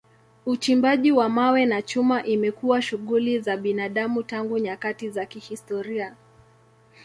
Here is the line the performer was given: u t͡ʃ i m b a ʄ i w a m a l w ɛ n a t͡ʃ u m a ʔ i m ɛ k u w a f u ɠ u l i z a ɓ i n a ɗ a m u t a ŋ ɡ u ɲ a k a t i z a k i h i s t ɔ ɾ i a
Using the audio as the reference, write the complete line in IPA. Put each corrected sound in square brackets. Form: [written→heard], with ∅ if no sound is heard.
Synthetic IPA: u t͡ʃ i m b a ʄ i w a m a [l→∅] w ɛ n a t͡ʃ u m a ʔ i m ɛ k u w a [f→ʃ] u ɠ u l i z a ɓ i n a ɗ a m u t a ŋ ɡ u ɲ a k a t i z a k i h i s t ɔ ɾ i a